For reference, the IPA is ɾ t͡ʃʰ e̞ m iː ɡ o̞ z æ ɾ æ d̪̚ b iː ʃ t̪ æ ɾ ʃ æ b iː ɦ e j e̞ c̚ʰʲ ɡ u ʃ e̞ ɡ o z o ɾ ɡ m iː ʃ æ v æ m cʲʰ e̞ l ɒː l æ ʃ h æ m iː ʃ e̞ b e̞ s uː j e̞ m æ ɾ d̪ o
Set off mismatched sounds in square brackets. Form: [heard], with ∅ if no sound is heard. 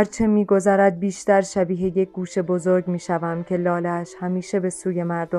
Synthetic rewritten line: ɾ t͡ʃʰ e̞ m iː ɡ o̞ z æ ɾ æ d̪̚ b iː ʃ t̪ æ ɾ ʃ æ b iː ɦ e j e̞ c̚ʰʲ ɡ [uː] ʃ e̞ [b] o z o ɾ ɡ m iː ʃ æ v æ m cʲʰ e̞ l ɒː l æ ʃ h æ m iː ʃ e̞ b e̞ s uː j e̞ m æ ɾ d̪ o